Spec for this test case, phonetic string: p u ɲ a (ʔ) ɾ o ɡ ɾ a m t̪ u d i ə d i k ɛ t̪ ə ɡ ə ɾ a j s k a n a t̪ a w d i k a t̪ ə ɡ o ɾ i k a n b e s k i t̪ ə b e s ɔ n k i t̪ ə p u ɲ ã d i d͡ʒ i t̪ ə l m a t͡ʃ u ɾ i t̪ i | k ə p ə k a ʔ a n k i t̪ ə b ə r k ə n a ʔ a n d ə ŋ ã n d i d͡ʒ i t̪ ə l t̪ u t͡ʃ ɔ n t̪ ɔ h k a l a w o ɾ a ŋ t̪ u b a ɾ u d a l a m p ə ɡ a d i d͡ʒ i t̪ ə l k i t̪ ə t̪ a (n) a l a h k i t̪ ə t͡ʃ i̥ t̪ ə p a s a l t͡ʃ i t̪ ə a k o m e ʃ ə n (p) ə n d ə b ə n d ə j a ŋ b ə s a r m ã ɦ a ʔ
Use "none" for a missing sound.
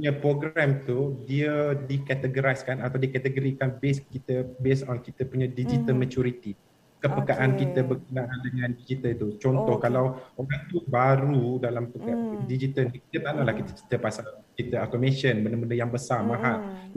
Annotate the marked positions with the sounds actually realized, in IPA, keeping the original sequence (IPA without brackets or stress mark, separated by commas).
p, n, b